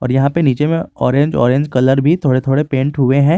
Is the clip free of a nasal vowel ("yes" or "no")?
no